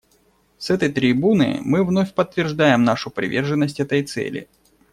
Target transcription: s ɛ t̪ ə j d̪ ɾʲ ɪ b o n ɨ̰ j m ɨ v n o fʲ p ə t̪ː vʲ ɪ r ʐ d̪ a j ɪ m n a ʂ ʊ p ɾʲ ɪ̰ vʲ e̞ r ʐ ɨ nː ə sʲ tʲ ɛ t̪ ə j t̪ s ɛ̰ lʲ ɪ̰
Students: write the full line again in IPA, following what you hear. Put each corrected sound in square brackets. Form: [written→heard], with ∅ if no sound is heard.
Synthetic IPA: s ɛ t̪ ə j [d̪→t̪] ɾʲ ɪ b [o→u] n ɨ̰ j m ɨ v n o fʲ p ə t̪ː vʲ ɪ r ʐ d̪ a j ɪ m n a ʂ ʊ p ɾʲ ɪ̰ vʲ e̞ r ʐ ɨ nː ə sʲ tʲ ɛ t̪ ə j t̪ s ɛ̰ lʲ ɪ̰